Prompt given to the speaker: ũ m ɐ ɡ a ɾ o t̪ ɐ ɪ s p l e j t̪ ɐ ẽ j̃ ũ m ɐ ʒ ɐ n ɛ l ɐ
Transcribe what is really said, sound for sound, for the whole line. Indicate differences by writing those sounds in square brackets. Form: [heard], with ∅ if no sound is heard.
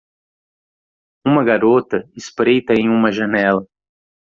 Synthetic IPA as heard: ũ m ɐ ɡ a ɾ o t̪ ɐ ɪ s p [ɾ] e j t̪ ɐ ẽ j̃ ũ m ɐ ʒ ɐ n ɛ l ɐ